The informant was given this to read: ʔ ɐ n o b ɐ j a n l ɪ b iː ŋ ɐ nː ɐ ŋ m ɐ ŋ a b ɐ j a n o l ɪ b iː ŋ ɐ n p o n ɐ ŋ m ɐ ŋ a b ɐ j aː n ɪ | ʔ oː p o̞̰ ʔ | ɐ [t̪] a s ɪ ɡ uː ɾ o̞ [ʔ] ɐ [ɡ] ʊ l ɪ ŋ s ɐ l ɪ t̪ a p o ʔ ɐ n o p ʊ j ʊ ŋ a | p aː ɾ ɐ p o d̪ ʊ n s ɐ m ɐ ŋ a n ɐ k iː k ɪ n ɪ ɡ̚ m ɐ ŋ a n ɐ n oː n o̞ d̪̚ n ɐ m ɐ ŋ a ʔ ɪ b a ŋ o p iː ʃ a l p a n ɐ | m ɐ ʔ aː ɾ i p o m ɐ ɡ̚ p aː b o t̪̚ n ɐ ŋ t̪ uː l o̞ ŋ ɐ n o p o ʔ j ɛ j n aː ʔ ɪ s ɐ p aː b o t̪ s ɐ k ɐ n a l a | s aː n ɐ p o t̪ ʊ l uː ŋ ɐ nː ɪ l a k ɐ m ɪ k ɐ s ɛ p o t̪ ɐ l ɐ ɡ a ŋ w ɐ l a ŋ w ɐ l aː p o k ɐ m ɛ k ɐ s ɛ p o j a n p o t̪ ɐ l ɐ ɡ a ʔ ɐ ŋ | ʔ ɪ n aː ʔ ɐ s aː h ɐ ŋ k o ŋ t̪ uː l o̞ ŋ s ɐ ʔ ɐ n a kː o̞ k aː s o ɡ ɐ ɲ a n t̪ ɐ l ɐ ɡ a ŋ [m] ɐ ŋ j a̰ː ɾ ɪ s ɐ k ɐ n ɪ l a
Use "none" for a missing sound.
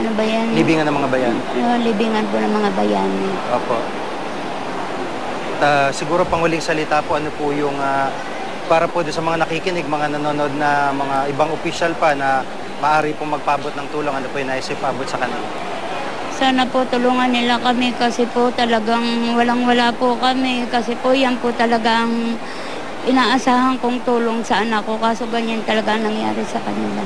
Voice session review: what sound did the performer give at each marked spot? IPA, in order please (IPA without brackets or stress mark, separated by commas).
t̪, p, ŋ, n